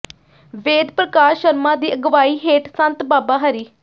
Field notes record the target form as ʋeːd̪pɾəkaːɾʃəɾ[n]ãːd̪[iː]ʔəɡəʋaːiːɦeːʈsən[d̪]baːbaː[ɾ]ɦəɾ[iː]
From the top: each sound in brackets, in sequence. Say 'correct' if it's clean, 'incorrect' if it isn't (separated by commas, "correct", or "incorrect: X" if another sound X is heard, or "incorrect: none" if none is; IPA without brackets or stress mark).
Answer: incorrect: m, correct, incorrect: t̪, incorrect: none, correct